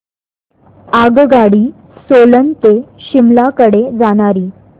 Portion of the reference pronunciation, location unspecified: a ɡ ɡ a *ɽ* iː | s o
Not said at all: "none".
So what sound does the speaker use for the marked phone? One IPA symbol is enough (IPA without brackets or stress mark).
ɽ